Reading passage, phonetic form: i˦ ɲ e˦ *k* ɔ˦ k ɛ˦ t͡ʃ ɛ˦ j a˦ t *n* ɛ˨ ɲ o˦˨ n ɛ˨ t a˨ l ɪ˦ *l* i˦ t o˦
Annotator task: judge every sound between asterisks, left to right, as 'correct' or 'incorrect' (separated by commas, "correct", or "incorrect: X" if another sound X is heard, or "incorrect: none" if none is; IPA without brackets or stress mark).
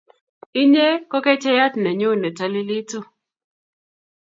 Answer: correct, correct, correct